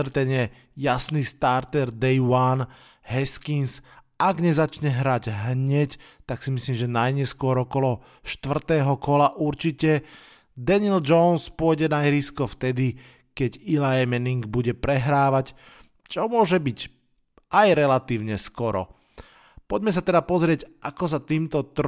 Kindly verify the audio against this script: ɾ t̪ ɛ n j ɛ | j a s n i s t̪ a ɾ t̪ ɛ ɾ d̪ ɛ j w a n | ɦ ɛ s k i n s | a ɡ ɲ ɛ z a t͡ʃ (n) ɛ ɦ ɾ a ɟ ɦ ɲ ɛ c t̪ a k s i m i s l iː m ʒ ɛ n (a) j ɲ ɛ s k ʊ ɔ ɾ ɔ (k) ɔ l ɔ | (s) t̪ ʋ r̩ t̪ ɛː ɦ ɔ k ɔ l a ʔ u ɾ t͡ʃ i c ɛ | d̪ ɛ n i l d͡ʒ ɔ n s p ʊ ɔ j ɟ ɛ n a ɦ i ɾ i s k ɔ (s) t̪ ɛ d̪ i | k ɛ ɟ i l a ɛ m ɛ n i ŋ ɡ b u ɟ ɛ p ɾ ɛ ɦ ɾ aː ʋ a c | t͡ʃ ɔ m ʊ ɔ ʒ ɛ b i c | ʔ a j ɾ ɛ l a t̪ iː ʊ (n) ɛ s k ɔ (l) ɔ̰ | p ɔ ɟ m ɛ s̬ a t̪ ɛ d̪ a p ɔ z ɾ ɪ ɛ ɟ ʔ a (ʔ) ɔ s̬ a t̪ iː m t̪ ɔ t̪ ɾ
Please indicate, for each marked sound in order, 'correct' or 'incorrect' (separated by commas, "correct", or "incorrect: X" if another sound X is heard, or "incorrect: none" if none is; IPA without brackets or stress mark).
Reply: incorrect: ɲ, correct, correct, incorrect: ʃ, incorrect: f, incorrect: ɲ, incorrect: ɾ, incorrect: k